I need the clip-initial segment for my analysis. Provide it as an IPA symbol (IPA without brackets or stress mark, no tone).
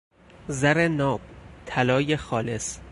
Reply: z